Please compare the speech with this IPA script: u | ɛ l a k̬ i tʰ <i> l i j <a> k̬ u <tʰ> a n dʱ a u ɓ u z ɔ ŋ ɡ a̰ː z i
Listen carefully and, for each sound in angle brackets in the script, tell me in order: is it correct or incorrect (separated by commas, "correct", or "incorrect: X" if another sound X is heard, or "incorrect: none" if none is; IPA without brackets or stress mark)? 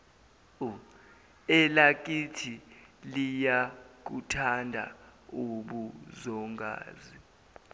correct, correct, correct